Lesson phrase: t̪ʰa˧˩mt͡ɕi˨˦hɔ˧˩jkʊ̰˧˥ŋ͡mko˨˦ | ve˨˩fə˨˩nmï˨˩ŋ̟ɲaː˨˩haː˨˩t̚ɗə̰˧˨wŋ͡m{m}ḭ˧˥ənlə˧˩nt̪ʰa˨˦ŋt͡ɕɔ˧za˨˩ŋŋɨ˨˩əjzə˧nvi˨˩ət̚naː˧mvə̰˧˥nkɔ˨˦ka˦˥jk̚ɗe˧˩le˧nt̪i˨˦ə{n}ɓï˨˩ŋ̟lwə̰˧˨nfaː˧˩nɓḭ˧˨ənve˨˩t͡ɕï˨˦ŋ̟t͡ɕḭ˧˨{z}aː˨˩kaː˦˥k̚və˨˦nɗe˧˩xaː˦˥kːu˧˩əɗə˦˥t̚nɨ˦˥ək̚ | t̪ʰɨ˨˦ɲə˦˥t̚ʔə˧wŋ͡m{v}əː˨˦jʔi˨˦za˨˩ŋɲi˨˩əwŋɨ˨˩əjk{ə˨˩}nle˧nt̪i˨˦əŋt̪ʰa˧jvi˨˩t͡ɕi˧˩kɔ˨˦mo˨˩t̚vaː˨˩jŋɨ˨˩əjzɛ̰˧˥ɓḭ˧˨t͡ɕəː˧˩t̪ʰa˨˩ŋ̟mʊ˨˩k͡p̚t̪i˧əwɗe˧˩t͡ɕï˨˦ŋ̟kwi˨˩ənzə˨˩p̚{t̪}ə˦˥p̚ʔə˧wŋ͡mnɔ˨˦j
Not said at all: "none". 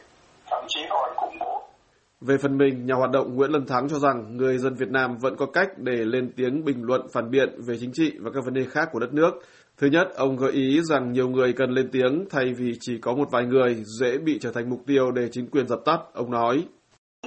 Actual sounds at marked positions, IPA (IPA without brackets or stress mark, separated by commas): ŋ, ŋ, v, ɣ, ə˨˩, t̪